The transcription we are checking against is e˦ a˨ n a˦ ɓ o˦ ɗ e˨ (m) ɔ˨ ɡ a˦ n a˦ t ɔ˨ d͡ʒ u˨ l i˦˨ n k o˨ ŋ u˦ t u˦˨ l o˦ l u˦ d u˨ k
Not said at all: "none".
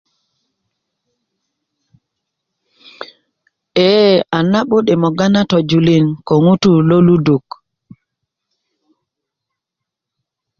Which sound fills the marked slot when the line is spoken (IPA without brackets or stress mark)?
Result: m